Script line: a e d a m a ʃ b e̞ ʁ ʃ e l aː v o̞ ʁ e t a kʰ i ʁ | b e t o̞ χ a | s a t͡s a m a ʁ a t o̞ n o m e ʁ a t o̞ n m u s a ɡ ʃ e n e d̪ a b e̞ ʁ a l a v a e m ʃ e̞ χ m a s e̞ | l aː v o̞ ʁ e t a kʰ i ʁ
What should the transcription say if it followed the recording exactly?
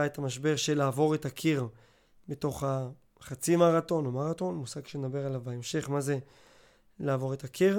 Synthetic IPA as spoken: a e t a m a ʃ b e̞ ʁ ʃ e l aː v o̞ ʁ e t a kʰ i ʁ | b e t o̞ χ a | χ a t͡s i m a ʁ a t o̞ n o m a ʁ a t o̞ n m u s a ɡ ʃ e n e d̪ a b e̞ ʁ a l a v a e m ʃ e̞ χ m a z e̞ | l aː v o̞ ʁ e t a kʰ i ʁ